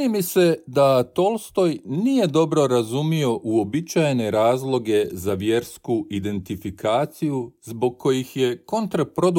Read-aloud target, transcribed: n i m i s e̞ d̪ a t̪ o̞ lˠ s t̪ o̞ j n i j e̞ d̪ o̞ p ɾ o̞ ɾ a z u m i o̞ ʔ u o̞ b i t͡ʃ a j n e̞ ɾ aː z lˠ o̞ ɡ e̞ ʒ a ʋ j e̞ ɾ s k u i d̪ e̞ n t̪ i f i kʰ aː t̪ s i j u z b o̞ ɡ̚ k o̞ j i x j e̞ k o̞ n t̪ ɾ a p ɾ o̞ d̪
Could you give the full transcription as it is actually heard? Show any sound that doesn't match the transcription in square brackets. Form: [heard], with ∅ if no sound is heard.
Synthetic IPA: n i m i s e̞ d̪ a t̪ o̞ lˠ s t̪ o̞ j n i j e̞ d̪ o̞ [b] ɾ o̞ ɾ a z u m i o̞ ʔ u o̞ b i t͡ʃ a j n e̞ ɾ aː z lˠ o̞ ɡ e̞ [z] a ʋ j e̞ ɾ s k u i d̪ e̞ n t̪ i f i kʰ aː t̪ s i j u z b o̞ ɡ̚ k o̞ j i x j e̞ k o̞ n t̪ ɾ a p ɾ o̞ d̪